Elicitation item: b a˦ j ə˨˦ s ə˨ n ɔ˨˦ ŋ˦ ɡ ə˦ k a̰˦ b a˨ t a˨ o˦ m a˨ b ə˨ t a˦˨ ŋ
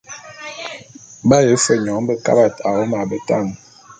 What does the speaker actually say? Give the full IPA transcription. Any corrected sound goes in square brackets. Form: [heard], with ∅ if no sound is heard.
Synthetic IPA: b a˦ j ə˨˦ [f] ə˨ [ɲ] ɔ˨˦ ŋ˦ [b] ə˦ k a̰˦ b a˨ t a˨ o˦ m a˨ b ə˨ t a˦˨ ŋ